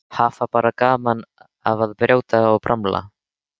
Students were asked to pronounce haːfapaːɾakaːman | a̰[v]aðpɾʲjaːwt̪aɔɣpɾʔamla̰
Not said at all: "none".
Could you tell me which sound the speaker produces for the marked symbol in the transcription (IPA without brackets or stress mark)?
v